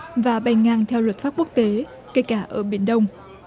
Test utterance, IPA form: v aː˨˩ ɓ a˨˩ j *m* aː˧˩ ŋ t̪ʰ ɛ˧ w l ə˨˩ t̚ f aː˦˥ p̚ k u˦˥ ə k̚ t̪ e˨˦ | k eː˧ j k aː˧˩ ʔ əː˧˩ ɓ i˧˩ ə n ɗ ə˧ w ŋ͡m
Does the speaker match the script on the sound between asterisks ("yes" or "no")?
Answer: no